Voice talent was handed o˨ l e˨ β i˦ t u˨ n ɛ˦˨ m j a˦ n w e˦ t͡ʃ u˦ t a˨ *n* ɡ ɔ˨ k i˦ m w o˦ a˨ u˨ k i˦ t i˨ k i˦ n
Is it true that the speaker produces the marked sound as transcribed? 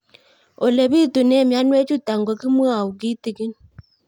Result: no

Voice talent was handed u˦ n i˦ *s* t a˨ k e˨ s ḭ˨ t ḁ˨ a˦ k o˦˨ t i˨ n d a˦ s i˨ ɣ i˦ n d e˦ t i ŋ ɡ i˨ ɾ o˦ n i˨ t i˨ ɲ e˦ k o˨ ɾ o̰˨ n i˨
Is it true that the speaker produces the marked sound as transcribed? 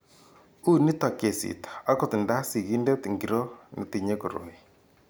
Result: no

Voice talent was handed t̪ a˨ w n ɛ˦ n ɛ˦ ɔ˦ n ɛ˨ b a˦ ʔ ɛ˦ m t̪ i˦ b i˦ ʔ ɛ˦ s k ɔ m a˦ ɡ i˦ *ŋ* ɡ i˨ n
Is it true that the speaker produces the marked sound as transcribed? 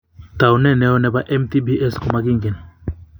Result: yes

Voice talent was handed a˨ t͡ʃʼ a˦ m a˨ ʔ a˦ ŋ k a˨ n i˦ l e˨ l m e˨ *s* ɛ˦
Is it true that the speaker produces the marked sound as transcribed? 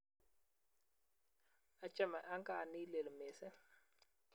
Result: yes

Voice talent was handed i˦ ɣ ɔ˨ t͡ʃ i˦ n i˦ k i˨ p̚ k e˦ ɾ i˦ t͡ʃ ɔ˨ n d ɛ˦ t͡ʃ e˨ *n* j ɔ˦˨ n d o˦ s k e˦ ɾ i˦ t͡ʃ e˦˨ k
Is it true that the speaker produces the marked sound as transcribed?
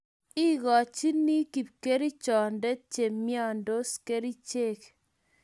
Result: no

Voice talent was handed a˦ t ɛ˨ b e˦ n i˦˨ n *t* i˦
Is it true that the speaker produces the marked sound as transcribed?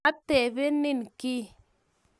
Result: no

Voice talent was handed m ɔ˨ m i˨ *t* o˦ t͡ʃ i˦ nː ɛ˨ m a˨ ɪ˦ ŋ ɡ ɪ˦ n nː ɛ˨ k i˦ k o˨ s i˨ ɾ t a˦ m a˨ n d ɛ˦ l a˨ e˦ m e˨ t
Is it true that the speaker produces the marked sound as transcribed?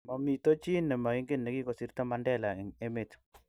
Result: yes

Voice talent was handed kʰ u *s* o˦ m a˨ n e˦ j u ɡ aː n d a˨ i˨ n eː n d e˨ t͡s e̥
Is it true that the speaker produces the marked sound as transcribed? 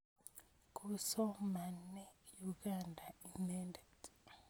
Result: yes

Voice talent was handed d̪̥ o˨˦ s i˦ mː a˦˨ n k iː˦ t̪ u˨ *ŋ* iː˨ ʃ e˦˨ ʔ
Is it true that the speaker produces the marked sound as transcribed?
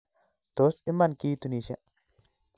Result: no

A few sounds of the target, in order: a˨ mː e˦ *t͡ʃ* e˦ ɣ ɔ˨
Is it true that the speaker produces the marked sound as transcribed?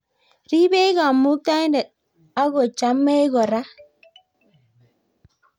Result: no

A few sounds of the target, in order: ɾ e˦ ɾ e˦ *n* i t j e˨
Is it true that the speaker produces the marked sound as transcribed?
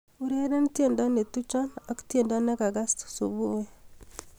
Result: yes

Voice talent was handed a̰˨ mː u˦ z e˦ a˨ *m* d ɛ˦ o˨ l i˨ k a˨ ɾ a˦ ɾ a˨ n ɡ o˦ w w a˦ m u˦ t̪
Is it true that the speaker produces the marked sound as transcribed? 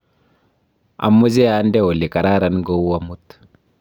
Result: no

